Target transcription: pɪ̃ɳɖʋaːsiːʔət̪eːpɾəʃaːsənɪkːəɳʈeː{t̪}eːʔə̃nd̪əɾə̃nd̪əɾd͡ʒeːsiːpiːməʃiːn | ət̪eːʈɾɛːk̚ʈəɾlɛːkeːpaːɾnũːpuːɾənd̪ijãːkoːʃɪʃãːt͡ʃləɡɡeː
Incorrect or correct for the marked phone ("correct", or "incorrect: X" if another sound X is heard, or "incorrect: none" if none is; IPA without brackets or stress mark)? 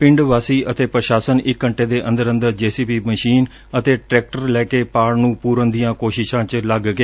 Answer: incorrect: d̪